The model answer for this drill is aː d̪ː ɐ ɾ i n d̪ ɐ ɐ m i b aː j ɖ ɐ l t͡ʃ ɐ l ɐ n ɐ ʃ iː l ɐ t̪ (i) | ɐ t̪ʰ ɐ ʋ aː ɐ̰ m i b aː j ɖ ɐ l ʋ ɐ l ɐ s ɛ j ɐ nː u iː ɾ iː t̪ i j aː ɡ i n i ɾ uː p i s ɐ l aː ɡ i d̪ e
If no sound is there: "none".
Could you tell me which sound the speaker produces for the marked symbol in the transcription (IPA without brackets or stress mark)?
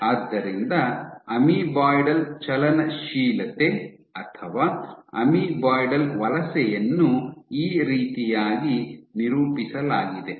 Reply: e